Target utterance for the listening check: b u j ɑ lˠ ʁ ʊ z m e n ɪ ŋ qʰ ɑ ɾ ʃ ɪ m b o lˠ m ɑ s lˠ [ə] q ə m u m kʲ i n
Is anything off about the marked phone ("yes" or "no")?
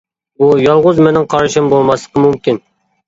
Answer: no